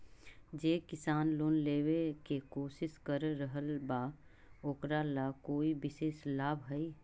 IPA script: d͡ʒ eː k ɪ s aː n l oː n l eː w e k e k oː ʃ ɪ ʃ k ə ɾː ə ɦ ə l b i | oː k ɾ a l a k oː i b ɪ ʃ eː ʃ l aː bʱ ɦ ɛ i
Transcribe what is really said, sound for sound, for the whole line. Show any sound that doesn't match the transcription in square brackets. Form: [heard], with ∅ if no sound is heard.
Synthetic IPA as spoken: d͡ʒ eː k ɪ s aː n l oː n l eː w e k e k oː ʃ ɪ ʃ k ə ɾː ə ɦ ə l b [a] | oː k ɾ a l a k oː i b ɪ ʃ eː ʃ l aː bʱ ɦ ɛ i